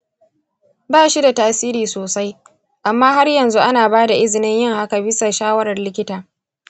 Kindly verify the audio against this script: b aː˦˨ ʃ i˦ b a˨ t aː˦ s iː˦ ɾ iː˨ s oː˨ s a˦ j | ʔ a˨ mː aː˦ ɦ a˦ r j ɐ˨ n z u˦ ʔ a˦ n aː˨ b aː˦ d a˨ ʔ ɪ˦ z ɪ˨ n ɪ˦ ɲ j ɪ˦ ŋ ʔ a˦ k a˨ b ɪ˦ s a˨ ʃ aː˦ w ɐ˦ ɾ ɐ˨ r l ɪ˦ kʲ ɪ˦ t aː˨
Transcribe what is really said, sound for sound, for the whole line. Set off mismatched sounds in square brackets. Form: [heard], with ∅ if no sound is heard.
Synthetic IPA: b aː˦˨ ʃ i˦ [d] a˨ t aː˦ s iː˦ ɾ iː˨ s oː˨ s a˦ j | ʔ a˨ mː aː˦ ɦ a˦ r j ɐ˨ n z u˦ ʔ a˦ n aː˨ b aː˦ d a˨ ʔ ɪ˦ z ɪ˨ n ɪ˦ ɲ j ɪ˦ ŋ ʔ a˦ k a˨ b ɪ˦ s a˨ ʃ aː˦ w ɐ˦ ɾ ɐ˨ r l ɪ˦ kʲ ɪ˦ t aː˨